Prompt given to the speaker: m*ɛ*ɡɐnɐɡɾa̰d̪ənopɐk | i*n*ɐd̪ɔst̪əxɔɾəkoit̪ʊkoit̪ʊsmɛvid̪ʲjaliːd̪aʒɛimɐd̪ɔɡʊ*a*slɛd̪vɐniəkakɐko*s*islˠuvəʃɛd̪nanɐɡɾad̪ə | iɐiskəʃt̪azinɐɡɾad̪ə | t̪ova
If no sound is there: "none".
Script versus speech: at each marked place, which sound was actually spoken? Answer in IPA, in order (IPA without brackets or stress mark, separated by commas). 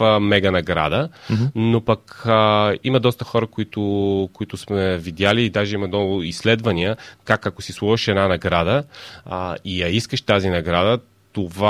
ɛ, m, i, s